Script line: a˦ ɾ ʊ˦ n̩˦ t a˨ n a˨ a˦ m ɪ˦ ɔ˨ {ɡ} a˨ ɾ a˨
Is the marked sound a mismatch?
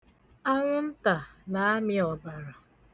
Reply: yes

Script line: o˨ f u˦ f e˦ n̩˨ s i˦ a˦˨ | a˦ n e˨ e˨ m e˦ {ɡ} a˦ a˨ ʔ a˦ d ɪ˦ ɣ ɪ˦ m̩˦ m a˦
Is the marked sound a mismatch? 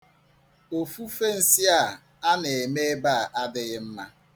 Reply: yes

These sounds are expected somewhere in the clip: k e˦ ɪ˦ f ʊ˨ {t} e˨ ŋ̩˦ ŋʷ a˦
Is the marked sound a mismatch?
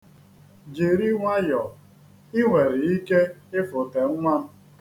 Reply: no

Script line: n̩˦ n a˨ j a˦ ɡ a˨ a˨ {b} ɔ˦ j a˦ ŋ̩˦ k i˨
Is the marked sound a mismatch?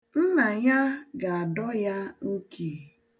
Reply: yes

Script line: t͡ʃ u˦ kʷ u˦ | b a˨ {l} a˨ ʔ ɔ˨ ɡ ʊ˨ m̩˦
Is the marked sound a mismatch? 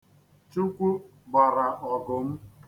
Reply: yes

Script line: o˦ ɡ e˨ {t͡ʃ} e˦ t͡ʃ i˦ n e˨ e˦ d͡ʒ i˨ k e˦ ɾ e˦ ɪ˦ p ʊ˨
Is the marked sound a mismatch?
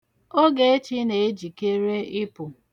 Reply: yes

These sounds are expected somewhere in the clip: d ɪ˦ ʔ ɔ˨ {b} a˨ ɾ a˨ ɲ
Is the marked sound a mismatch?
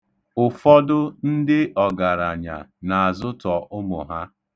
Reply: yes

